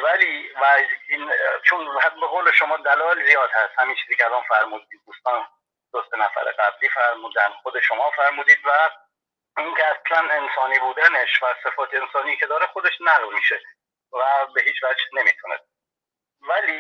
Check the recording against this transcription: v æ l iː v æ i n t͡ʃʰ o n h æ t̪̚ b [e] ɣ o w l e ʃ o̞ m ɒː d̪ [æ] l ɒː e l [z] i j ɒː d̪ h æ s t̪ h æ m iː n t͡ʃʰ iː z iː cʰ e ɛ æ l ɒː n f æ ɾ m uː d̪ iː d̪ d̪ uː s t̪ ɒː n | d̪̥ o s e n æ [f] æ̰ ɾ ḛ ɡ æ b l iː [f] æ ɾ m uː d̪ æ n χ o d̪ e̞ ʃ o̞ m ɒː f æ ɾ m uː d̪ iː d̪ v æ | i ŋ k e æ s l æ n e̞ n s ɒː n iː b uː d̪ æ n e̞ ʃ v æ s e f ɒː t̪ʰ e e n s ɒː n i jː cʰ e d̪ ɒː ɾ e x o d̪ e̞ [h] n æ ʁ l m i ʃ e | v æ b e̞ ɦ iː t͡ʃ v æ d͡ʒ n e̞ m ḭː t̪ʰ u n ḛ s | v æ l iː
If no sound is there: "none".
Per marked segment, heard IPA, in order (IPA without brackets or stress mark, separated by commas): e, æ, z, f, f, ʃ